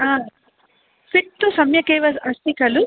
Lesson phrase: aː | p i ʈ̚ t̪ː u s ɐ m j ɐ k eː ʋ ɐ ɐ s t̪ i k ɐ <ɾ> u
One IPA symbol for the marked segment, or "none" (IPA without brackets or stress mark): l